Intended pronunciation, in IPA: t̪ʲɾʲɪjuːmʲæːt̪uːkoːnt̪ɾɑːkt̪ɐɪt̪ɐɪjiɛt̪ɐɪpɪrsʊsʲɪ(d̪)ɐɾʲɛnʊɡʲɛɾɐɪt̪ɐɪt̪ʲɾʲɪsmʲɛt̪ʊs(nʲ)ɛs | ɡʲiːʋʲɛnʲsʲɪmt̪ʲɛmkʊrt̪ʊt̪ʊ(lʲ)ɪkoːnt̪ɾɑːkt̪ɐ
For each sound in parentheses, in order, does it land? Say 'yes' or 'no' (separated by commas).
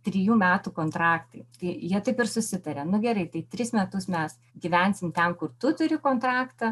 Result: no, no, no